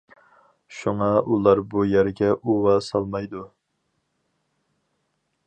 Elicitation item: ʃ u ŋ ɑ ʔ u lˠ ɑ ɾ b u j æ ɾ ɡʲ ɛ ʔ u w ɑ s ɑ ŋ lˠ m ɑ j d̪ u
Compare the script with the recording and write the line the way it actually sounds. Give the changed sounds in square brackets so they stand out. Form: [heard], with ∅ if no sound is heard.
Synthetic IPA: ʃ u ŋ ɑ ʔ u lˠ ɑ ɾ b u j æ ɾ ɡʲ ɛ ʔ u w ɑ s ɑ [∅] lˠ m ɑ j d̪ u